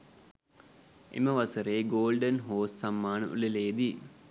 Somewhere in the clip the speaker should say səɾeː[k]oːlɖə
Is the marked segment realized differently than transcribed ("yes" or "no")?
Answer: yes